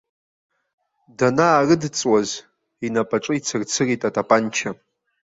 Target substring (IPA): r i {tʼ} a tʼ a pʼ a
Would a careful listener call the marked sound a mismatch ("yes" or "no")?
no